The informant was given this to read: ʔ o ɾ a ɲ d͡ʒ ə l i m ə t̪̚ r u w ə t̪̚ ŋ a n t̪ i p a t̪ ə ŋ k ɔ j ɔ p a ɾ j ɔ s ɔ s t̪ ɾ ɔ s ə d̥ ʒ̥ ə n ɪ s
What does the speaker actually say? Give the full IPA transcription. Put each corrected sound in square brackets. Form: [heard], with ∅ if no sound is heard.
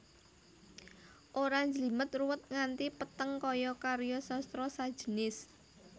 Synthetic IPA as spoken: ʔ o ɾ a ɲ d͡ʒ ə l i m ə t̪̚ r u w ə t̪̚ ŋ a n t̪ i p [ə] t̪ ə ŋ k ɔ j ɔ [k] a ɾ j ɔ s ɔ s t̪ ɾ ɔ s [a] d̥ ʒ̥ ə n ɪ s